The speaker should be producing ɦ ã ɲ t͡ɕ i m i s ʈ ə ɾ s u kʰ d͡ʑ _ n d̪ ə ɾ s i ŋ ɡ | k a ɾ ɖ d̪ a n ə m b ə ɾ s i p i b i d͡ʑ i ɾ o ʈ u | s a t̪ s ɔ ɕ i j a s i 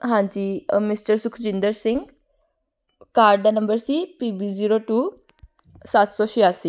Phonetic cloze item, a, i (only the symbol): i